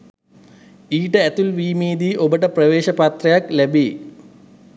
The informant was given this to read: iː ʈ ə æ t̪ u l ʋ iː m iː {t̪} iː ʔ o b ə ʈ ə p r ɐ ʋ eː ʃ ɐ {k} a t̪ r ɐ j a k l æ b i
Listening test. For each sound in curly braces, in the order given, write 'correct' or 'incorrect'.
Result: incorrect: d̪, incorrect: p

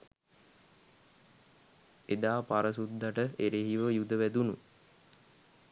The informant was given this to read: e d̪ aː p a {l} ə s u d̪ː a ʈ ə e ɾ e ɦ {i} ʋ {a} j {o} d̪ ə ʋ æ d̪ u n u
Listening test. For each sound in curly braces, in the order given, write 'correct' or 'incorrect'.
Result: incorrect: ɾ, correct, incorrect: ə, incorrect: u

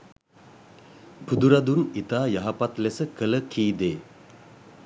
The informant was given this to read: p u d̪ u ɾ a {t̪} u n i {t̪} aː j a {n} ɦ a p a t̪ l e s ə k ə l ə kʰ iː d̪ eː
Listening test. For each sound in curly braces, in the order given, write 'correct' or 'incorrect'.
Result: incorrect: d̪, correct, incorrect: none

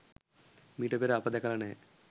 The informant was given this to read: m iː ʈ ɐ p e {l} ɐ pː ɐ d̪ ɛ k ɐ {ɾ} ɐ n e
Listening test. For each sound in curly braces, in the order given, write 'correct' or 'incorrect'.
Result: incorrect: ɾ, incorrect: l

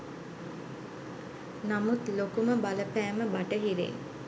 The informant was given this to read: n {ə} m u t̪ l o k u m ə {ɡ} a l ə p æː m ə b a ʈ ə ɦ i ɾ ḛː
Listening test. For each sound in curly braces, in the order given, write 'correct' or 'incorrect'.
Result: incorrect: a, incorrect: b

